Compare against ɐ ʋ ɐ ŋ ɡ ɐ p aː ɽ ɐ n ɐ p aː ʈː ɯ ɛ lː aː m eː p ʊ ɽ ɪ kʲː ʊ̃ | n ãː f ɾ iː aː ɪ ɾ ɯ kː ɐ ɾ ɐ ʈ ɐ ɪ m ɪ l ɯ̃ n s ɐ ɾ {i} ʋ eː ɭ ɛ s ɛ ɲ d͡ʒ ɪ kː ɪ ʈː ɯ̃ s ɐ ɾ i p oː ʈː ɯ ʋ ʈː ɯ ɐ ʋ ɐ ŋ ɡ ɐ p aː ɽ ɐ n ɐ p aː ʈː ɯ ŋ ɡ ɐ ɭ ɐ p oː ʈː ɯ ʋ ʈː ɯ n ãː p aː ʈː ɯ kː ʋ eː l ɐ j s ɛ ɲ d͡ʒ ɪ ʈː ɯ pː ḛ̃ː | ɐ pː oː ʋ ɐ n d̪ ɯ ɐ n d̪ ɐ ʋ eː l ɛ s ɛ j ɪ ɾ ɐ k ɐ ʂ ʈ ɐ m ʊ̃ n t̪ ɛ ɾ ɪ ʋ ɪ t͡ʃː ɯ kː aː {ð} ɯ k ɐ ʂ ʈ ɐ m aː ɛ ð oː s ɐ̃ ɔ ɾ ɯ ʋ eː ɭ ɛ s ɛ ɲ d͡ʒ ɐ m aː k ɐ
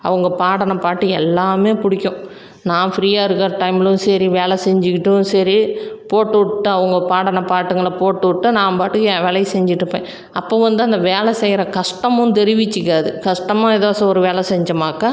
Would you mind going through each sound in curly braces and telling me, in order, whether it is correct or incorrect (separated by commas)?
correct, correct